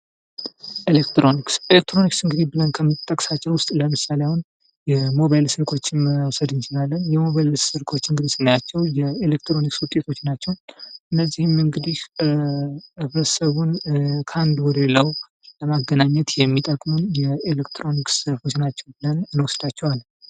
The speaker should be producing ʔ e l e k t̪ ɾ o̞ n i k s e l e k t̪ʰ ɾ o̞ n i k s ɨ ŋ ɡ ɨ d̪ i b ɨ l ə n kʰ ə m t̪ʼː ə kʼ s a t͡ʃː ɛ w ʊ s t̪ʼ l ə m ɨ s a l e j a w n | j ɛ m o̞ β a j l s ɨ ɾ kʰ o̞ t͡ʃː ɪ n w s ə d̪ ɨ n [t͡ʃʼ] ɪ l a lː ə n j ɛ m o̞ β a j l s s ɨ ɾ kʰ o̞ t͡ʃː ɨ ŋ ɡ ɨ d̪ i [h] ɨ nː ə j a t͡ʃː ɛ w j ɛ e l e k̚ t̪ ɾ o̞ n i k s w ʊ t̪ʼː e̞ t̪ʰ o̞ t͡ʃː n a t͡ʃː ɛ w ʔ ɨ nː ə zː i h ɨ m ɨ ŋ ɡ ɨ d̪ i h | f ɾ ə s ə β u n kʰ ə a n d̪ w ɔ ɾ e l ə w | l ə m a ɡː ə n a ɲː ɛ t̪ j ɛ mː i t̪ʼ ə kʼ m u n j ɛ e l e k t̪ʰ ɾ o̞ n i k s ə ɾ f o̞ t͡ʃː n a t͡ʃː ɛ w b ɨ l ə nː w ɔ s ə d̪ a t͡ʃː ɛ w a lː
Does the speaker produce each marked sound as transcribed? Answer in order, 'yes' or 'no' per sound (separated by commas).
no, no